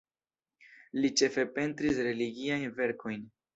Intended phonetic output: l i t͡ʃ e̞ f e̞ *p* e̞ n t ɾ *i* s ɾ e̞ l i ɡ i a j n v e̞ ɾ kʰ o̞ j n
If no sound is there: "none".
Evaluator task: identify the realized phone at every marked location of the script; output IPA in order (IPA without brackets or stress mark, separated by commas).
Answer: p, i